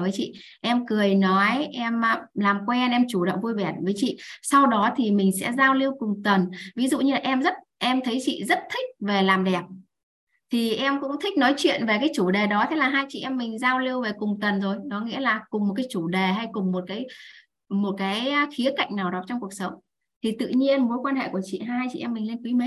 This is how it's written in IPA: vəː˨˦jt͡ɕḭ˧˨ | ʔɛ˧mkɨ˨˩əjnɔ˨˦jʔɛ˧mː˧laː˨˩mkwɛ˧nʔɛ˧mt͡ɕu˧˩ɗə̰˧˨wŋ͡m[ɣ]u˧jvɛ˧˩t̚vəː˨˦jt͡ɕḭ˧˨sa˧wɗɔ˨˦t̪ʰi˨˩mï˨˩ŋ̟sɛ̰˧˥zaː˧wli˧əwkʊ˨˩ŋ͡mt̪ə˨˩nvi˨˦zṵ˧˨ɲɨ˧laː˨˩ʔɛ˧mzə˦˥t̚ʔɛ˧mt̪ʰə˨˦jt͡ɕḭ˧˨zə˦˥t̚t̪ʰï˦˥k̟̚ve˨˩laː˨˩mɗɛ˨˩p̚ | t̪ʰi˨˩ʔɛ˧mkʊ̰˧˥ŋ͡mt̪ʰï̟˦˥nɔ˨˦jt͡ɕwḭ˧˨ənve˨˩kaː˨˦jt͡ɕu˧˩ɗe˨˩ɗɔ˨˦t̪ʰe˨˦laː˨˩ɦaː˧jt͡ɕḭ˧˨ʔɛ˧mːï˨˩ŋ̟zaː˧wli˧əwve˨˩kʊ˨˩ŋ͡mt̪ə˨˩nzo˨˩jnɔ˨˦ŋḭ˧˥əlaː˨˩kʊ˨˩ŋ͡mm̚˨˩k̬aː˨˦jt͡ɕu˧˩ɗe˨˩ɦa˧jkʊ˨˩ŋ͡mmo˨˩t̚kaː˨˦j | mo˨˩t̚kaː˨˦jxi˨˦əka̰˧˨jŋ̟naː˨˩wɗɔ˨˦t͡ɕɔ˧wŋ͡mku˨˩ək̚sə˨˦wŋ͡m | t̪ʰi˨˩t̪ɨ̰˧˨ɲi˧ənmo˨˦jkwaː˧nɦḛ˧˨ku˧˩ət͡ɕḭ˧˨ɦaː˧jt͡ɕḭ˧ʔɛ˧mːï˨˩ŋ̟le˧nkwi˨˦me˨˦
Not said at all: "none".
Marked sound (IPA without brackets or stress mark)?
v